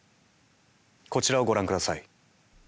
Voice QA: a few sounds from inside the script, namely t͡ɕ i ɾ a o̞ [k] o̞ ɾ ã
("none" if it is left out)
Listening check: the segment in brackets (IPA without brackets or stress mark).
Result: ɡ